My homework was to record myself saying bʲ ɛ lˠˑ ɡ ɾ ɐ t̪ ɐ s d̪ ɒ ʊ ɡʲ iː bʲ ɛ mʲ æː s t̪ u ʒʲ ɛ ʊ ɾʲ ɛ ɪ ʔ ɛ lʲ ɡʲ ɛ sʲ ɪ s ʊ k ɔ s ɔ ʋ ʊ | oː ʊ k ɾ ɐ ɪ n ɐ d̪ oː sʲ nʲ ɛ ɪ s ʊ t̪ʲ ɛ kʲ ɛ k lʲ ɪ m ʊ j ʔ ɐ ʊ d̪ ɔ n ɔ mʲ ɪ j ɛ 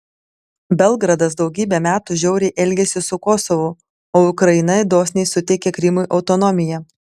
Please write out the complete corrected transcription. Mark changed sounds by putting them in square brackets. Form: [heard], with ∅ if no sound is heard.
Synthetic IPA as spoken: bʲ ɛ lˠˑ ɡ ɾ ɐ [d̪] ɐ s d̪ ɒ ʊ ɡʲ iː bʲ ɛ mʲ æː [∅] t̪ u ʒʲ ɛ ʊ ɾʲ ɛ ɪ ʔ ɛ lʲ ɡʲ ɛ sʲ ɪ s ʊ k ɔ s ɔ ʋ ʊ | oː ʊ k ɾ ɐ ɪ n ɐ d̪ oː sʲ nʲ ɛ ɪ s ʊ t̪ʲ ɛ kʲ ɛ k [ɾʲ] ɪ m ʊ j ʔ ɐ ʊ [t̪] ɔ n ɔ mʲ ɪ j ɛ